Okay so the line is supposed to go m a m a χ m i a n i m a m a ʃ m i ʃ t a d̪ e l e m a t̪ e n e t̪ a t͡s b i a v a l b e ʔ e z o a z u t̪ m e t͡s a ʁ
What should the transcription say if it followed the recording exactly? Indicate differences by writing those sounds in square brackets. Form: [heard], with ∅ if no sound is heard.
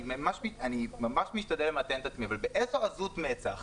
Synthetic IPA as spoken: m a m a [ʃ] m i a n i m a m a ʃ m i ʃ t a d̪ e l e m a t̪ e n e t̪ a t͡s [m] i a v a l b e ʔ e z o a z u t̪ m e t͡s a [χ]